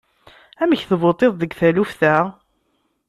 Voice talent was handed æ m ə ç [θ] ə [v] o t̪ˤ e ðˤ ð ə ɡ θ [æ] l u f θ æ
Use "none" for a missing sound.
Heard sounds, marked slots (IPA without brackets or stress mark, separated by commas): θ, v, æ